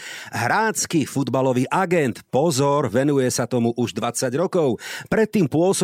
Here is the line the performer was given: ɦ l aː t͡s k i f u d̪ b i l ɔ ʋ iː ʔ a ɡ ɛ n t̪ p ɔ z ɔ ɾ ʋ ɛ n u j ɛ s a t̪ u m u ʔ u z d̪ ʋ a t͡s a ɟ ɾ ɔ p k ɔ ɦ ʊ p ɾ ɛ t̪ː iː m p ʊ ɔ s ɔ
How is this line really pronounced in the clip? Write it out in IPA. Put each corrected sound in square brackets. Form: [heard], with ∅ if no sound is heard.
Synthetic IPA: ɦ [ɾ] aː t͡s k i f u d̪ b [a] l ɔ ʋ iː ʔ a ɡ ɛ n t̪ p ɔ z ɔ ɾ ʋ ɛ n u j ɛ s a t̪ [ɔ] m u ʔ u [ʒ] d̪ ʋ a t͡s a ɟ ɾ ɔ [∅] k ɔ [∅] ʊ p ɾ ɛ t̪ː iː m p ʊ ɔ s ɔ